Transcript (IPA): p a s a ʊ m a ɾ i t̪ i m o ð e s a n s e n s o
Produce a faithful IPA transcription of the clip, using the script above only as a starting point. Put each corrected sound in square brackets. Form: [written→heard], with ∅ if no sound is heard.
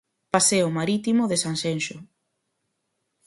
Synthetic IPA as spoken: p a s [a→e] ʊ m a ɾ i t̪ i m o ð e s a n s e n [s→ʃ] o